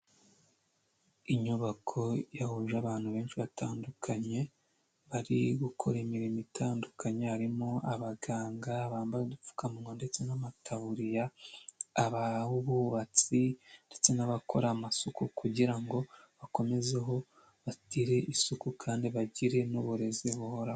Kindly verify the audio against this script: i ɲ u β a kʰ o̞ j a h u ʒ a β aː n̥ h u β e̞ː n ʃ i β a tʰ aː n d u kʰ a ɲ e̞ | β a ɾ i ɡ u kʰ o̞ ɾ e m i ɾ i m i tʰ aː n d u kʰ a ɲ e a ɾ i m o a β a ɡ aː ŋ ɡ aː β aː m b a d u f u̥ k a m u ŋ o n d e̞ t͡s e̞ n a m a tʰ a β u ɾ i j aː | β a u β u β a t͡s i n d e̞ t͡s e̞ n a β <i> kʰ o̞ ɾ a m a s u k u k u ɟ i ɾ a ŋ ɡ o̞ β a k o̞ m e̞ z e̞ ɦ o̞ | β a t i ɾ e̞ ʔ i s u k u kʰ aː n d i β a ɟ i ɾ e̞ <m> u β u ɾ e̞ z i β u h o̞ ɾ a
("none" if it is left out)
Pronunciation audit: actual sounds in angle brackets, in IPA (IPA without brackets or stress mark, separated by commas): a, n